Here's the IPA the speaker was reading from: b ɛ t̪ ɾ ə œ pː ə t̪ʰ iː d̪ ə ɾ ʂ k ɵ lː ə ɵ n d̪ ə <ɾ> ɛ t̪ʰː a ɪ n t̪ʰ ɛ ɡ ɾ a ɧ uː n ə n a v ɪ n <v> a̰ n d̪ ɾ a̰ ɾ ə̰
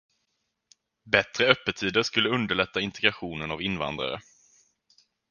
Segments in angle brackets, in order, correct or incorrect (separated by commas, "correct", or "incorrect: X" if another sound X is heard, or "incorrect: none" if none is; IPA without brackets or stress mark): incorrect: ɭ, correct